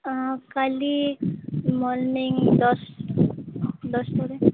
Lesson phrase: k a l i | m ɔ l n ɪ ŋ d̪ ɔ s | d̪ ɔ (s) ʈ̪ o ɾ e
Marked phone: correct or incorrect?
correct